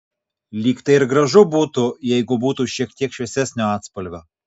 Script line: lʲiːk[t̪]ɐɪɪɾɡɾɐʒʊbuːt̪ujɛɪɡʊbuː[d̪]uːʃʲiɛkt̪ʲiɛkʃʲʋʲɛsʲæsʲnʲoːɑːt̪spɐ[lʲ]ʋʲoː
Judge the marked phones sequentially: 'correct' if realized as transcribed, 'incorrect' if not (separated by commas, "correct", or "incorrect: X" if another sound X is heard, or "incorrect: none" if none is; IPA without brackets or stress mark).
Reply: correct, incorrect: t̪, correct